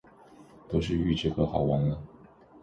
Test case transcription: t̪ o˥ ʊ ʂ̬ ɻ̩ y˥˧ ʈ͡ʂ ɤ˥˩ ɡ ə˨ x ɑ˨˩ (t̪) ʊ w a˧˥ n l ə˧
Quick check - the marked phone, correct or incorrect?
incorrect